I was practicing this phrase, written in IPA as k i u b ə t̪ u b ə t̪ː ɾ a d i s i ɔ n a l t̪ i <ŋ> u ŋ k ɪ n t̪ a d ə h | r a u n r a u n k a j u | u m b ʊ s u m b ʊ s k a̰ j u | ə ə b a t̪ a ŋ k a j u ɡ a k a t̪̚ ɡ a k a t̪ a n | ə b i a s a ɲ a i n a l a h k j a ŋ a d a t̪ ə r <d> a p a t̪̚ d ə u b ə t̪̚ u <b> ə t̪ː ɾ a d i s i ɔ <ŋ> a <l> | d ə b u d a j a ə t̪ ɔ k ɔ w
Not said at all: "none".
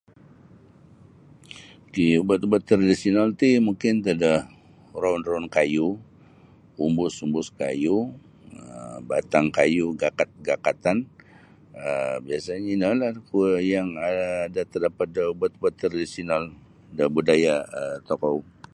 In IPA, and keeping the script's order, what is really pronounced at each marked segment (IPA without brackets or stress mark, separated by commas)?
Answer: m, d, b, n, l